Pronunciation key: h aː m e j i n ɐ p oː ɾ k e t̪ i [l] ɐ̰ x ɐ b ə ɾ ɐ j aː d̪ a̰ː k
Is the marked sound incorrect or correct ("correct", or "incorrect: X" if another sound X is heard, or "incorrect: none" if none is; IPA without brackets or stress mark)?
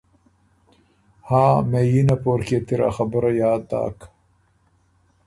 incorrect: ɾ